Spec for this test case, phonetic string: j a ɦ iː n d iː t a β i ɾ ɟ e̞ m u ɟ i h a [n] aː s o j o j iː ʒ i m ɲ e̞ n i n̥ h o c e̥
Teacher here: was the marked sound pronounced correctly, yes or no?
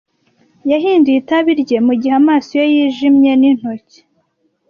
no